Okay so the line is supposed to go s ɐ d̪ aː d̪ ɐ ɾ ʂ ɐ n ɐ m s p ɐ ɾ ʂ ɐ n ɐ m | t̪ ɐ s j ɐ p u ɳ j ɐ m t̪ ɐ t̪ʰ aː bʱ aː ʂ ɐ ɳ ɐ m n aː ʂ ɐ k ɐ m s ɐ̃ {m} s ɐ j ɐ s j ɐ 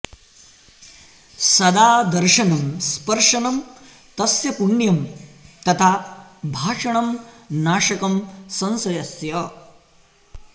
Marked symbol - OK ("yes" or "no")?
no